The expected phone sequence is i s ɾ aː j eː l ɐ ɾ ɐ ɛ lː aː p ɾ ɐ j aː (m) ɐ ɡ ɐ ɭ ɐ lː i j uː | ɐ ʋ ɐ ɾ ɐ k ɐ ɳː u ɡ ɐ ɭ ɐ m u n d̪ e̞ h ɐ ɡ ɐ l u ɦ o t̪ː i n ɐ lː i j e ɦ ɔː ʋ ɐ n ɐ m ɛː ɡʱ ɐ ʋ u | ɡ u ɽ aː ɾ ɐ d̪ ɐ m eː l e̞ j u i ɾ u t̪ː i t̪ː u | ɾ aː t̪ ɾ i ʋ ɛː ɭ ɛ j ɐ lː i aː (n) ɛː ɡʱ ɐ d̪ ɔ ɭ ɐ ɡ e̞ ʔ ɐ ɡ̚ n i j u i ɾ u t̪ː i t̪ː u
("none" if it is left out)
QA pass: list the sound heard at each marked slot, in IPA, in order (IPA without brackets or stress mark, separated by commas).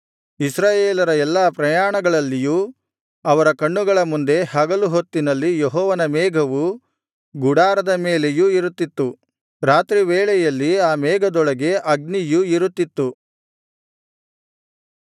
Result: ɳ, m